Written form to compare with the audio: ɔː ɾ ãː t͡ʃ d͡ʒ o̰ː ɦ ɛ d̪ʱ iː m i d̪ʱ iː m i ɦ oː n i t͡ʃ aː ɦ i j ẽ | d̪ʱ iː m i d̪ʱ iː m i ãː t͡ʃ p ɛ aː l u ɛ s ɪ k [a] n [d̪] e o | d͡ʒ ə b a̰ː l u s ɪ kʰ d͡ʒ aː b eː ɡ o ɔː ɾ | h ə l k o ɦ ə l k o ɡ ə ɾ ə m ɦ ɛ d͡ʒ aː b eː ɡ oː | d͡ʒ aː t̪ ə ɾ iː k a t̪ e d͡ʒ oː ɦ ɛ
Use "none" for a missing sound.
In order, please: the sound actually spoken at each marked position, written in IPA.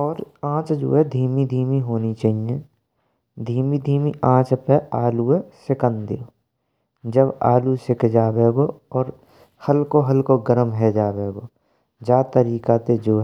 ə, d̪

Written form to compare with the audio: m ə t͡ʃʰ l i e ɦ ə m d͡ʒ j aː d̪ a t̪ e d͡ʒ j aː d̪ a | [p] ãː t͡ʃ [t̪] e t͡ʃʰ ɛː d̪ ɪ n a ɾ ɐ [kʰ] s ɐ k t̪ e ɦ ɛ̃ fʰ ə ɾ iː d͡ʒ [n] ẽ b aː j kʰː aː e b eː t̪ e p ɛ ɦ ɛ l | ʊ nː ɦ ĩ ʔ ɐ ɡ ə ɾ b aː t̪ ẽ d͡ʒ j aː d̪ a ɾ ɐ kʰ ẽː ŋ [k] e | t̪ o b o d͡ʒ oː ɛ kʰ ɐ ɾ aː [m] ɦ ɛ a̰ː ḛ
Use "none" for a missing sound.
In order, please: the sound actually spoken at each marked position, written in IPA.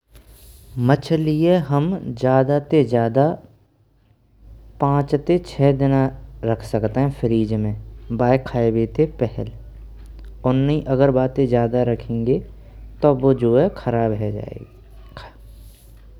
p, t̪, kʰ, m, ɡ, b

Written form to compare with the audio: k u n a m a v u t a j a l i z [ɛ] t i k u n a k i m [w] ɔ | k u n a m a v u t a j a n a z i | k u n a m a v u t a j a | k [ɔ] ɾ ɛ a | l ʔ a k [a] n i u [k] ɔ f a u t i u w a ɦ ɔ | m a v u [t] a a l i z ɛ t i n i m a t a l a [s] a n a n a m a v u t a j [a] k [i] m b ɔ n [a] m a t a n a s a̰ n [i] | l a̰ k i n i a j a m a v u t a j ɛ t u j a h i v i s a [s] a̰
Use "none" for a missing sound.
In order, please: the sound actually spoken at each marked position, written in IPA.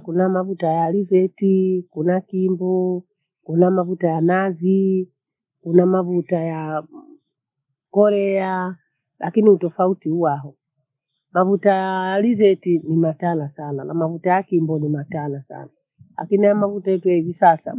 ɛ, b, ɔ, i, t, t, s, a, i, i, a, s

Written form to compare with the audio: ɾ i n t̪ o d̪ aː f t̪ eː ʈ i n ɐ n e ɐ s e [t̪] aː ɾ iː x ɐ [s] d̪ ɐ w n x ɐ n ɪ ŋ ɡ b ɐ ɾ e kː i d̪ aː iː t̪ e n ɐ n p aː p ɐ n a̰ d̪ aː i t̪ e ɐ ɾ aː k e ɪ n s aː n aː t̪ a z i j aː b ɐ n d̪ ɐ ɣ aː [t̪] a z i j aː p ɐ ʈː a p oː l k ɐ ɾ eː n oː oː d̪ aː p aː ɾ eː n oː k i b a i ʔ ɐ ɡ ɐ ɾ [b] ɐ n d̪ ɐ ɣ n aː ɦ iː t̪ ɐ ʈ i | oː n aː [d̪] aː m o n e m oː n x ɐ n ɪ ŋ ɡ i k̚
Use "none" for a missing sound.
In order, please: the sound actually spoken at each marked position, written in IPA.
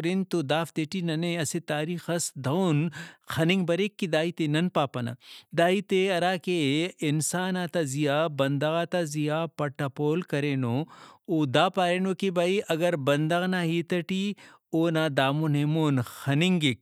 t̪, s, t̪, b, d̪

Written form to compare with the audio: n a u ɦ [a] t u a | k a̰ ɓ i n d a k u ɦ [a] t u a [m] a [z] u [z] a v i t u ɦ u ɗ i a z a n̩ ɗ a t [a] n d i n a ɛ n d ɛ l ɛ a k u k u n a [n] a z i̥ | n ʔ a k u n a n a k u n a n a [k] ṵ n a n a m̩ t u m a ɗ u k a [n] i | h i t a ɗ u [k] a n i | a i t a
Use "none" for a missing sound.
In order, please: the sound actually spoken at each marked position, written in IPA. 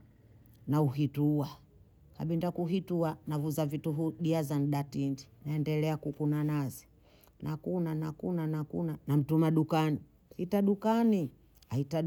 i, i, n, v, z, i, n, k, n, k

